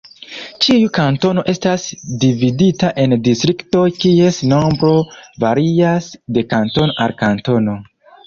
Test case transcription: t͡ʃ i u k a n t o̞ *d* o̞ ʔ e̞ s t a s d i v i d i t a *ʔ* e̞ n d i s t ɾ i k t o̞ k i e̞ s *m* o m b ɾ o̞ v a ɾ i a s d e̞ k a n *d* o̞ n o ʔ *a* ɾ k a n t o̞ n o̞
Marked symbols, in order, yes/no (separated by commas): no, yes, no, no, yes